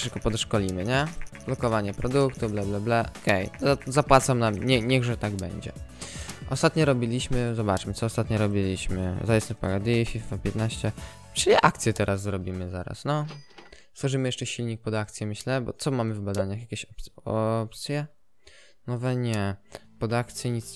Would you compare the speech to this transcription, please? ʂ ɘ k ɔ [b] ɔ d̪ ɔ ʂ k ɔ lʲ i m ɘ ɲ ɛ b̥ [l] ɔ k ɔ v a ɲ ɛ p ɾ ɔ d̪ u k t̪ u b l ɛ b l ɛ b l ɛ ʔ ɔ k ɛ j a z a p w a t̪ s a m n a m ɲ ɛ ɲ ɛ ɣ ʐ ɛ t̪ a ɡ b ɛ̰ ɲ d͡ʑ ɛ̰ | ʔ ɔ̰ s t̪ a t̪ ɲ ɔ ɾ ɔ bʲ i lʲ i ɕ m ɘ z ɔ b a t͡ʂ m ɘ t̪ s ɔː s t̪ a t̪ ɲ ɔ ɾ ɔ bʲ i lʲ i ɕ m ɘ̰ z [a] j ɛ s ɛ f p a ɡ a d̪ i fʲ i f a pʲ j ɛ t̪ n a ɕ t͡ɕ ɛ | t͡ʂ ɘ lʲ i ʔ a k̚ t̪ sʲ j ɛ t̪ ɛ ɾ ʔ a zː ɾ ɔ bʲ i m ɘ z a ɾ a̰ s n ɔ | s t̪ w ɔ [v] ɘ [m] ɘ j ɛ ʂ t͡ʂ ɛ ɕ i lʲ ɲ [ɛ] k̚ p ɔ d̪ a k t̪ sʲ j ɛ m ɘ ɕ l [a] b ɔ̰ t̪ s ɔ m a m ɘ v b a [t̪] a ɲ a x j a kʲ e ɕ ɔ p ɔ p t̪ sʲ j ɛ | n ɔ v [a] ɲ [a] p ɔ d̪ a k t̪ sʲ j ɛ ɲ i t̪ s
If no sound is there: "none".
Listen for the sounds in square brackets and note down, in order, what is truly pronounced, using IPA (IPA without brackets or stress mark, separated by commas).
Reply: p, l, a, ʐ, m, i, ɛ, d̪, ɛ, ɛ